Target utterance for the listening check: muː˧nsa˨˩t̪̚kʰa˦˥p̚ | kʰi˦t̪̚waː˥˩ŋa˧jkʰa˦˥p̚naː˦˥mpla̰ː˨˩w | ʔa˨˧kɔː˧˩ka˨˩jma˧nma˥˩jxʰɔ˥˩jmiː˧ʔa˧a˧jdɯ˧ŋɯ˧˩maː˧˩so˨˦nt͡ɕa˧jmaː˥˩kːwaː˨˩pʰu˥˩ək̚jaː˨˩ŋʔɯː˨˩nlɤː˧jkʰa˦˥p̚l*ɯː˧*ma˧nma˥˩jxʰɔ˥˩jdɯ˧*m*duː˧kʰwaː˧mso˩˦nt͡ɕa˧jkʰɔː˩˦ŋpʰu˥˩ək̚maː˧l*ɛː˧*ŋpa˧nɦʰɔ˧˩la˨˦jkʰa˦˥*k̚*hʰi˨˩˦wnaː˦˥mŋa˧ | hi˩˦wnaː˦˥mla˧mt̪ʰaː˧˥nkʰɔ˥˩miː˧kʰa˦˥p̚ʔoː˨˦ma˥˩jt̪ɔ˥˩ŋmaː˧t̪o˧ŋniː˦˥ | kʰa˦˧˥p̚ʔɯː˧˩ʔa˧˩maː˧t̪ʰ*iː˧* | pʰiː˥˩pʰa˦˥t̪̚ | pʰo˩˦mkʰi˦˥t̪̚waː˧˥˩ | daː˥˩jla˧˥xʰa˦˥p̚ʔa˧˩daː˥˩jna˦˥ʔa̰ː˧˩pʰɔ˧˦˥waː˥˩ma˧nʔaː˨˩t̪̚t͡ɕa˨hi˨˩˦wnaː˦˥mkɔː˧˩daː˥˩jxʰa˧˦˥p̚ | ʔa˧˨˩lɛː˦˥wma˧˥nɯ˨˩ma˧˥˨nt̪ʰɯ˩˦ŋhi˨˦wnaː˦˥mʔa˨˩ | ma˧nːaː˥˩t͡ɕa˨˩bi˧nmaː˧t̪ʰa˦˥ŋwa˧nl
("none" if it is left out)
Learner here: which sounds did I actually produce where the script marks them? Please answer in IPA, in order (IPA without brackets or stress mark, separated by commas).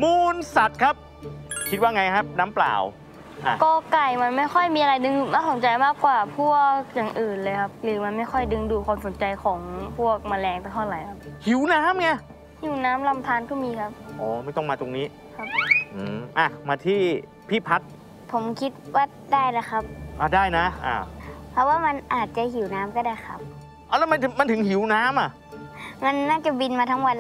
ɯː˩˦, ŋ, ɛː˧, p̚, iː˥˩